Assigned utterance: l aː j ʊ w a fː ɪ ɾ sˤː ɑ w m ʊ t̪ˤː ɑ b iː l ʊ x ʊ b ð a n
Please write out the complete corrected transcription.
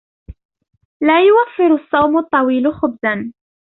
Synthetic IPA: l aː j ʊ w a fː ɪ ɾ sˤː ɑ w m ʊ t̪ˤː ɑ w iː l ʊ x ʊ b z a n